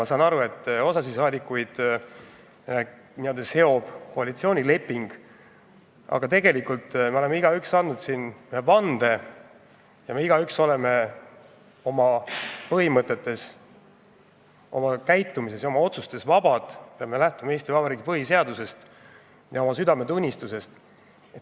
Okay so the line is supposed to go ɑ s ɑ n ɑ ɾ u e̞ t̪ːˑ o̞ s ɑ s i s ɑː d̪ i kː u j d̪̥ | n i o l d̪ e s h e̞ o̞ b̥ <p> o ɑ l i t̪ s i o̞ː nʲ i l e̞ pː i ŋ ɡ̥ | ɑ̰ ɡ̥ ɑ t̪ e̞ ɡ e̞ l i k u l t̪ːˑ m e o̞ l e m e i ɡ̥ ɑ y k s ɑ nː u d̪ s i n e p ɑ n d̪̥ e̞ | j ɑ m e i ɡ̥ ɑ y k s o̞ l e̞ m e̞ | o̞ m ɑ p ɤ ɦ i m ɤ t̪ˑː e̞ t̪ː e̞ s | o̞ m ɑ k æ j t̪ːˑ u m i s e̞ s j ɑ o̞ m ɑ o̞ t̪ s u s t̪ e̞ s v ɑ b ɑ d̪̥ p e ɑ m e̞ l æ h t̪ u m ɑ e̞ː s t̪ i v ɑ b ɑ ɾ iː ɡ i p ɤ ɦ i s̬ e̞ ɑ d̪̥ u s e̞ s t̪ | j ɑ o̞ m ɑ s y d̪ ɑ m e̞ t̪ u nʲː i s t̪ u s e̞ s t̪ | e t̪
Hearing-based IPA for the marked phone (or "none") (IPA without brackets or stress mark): k